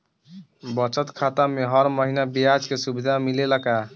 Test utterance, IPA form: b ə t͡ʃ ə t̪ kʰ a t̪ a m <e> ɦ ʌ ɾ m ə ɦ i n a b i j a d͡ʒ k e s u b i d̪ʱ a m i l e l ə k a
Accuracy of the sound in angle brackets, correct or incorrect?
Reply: correct